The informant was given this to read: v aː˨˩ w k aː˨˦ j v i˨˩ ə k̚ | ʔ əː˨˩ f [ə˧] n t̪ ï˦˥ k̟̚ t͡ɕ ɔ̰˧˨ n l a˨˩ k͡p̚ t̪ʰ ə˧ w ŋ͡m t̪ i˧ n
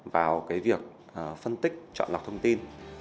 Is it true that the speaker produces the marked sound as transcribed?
yes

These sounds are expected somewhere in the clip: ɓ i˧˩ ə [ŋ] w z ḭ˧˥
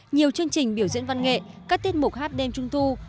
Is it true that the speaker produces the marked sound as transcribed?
no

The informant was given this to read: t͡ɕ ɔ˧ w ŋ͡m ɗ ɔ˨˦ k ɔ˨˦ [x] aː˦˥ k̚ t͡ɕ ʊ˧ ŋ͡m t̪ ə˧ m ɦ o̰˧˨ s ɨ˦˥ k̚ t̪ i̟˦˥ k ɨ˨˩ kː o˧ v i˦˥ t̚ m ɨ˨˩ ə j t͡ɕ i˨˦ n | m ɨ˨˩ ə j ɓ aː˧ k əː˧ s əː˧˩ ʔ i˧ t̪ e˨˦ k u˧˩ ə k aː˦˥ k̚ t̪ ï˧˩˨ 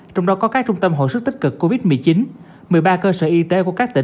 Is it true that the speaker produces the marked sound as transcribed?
no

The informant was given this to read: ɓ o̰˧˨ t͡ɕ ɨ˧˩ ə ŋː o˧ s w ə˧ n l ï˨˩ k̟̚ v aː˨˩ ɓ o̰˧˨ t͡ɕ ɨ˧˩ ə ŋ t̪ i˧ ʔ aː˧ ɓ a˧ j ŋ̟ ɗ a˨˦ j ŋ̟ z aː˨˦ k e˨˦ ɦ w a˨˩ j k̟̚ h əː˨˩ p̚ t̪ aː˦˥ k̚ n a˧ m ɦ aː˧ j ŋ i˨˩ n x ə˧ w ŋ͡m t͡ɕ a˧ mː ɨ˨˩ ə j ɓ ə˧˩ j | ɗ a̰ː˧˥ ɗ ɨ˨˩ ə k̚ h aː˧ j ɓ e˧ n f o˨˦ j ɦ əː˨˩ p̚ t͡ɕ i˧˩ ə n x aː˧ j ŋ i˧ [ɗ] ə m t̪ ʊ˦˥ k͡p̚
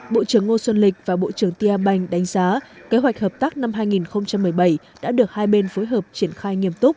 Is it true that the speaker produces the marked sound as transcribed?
no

